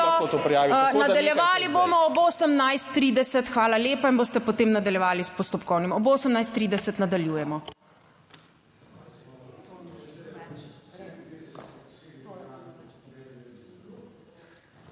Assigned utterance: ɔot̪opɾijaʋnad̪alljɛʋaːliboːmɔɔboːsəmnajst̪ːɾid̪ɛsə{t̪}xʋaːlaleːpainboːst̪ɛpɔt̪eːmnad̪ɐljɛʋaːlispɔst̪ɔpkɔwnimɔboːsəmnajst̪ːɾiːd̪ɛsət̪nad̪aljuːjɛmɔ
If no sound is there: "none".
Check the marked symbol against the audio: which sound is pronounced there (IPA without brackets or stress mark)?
t̪